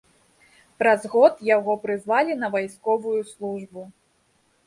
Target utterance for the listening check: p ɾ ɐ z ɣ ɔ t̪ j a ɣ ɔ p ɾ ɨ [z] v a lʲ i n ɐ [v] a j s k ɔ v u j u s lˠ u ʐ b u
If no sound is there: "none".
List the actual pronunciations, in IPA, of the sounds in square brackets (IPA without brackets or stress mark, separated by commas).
z, v